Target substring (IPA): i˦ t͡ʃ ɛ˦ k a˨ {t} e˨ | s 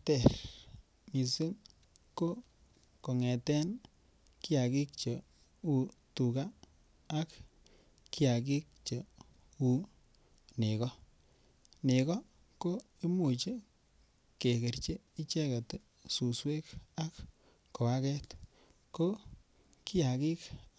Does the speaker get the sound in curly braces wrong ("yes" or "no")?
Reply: no